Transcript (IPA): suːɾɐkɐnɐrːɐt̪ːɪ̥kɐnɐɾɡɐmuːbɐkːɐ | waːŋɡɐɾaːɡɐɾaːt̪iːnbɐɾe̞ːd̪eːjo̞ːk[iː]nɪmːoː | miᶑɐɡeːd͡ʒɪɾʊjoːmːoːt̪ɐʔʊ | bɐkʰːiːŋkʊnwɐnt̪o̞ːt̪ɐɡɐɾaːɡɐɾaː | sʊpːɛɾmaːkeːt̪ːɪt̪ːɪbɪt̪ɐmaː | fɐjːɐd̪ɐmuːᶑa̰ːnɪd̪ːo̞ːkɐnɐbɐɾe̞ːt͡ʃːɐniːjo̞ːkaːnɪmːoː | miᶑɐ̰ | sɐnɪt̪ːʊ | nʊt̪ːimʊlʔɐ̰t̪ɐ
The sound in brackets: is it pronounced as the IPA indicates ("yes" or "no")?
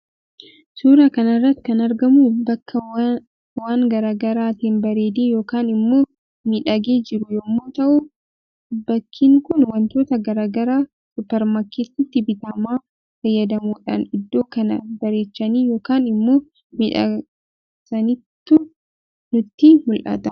no